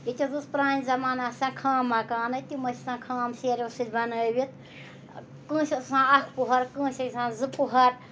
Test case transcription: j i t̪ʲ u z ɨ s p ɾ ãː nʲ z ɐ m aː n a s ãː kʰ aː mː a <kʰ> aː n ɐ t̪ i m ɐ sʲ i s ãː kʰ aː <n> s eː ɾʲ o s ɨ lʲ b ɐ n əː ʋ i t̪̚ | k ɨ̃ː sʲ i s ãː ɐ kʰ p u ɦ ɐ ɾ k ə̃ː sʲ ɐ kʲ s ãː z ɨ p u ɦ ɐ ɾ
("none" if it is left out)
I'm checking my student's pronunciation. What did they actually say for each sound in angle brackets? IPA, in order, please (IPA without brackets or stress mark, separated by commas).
k, m